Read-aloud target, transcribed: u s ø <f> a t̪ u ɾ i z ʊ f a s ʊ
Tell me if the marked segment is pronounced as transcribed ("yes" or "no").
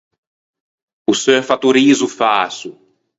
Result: yes